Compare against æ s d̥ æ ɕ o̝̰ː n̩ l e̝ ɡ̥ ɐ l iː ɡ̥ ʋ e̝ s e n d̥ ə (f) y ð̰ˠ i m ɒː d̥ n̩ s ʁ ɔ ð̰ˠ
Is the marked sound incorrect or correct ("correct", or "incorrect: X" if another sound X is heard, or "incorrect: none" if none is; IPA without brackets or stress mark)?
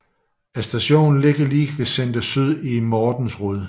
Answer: incorrect: s